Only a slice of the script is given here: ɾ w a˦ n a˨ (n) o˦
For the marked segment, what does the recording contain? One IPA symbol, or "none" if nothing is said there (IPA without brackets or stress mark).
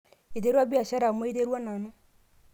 n